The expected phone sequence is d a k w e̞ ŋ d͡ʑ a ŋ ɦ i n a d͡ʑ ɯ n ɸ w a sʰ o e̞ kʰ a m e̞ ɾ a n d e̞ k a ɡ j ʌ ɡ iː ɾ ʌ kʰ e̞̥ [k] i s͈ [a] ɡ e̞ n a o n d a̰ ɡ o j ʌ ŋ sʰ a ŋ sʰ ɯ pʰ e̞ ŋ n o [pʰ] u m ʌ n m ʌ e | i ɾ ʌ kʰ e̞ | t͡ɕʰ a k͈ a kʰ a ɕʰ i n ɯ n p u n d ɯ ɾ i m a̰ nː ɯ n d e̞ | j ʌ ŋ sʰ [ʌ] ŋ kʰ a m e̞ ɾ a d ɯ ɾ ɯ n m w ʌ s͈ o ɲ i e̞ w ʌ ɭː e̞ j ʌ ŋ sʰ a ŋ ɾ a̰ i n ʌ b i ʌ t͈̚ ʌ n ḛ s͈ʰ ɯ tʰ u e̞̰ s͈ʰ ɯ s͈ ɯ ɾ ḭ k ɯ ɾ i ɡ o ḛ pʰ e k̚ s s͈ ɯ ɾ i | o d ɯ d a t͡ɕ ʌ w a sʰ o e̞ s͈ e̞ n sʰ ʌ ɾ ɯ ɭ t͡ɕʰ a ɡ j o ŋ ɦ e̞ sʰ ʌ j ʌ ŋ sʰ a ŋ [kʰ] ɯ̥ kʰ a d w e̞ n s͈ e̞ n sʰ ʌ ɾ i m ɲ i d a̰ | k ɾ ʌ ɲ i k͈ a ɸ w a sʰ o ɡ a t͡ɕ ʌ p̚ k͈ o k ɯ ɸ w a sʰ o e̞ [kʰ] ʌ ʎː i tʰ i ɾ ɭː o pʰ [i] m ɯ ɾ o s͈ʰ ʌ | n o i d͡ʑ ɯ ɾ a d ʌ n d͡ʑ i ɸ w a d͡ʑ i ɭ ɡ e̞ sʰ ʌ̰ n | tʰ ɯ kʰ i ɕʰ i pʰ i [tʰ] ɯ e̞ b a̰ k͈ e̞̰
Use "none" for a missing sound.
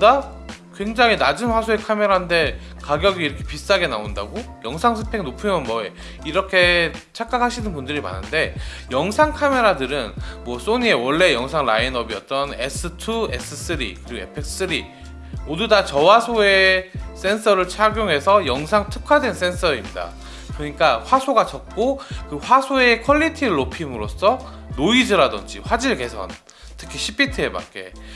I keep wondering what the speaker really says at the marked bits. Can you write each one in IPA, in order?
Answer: p, a, pʰ, a, tʰ, kʰ, i, tʰ

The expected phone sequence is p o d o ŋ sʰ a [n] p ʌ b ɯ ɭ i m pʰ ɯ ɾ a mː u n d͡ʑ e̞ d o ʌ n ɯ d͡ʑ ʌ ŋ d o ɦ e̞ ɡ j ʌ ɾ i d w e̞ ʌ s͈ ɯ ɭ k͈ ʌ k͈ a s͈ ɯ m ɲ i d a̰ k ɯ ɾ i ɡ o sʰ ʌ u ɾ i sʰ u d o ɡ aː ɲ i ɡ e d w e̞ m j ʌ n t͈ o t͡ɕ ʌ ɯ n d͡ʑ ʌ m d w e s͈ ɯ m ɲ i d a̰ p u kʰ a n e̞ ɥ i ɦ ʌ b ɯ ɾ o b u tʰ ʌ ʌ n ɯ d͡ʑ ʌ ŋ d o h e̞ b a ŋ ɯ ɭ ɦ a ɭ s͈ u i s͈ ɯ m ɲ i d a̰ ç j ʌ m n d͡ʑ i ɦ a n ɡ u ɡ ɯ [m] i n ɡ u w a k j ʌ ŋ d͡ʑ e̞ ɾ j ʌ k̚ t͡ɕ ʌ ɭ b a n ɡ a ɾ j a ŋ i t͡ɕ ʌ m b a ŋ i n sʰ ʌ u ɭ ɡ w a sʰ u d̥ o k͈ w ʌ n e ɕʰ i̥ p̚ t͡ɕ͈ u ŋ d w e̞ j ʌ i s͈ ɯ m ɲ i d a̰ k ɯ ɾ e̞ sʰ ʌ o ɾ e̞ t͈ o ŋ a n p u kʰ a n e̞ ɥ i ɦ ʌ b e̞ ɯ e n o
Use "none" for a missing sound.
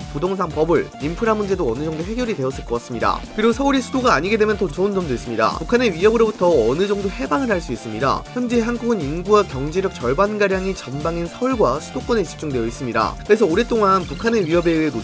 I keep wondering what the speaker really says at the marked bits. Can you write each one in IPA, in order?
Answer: ŋ, n

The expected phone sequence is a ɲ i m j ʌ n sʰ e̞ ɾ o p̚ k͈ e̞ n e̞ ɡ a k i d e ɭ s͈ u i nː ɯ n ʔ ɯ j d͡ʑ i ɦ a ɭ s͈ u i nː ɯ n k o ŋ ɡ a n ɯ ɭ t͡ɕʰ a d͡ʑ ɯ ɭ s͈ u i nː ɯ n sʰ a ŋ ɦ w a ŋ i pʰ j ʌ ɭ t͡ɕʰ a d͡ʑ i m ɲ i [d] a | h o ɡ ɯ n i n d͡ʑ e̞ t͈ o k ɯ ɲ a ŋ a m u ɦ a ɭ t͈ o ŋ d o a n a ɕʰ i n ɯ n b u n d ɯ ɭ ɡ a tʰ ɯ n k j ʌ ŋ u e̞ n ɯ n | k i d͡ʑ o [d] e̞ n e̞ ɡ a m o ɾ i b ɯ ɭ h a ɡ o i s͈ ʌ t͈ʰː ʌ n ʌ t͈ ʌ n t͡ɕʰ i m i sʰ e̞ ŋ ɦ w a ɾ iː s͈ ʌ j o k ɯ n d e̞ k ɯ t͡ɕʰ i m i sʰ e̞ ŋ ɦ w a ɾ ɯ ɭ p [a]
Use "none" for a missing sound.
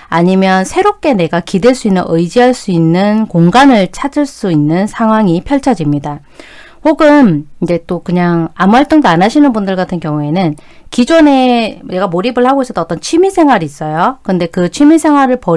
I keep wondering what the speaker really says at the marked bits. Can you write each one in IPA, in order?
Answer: d, n, ʌ

